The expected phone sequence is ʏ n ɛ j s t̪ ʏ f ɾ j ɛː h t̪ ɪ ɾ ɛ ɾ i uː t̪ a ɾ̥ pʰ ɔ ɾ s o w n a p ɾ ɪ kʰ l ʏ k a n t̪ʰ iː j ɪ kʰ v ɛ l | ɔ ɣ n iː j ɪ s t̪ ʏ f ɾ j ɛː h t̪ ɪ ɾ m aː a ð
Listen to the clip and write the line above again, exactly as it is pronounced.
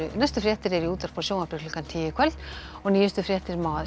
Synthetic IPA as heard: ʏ n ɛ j s t̪ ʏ f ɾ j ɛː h t̪ ɪ ɾ ɛ ɾ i uː t̪ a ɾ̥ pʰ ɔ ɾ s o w n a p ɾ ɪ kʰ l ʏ k a n t̪ʰ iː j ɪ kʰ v ɛ l | ɔ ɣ n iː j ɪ s t̪ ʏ f ɾ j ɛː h t̪ ɪ ɾ m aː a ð